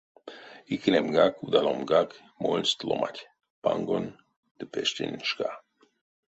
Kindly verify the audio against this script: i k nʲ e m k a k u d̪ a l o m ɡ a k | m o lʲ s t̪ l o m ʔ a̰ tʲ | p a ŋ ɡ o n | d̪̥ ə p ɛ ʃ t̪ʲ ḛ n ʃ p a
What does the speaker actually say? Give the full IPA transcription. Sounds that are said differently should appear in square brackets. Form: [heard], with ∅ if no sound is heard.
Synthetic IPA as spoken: i k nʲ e m [ɡ] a k u d̪ a l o m ɡ a k | m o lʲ s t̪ l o m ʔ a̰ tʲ | p a ŋ ɡ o n | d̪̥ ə p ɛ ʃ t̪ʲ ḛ n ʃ [k] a